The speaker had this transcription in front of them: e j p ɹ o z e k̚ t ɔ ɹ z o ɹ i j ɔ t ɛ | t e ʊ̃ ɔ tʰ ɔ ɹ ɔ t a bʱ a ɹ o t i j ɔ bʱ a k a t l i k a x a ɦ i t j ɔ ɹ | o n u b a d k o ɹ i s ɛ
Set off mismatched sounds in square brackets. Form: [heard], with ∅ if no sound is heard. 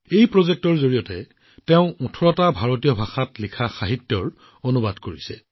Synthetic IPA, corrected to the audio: e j p ɹ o z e k̚ t ɔ ɹ z o ɹ i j ɔ t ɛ | t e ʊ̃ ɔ tʰ ɔ ɹ ɔ t a bʱ a ɹ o t i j ɔ bʱ a [x] a t l i [kʰ] a x a ɦ i t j ɔ ɹ | o n u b a d k o ɹ i s ɛ